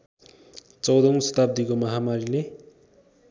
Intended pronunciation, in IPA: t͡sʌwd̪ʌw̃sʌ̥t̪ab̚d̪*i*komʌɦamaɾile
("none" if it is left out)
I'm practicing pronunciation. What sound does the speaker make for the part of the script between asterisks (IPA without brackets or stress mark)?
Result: i